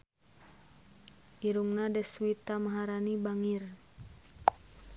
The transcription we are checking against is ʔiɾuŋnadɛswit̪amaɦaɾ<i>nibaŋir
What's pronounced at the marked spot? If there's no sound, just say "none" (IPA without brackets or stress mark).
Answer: a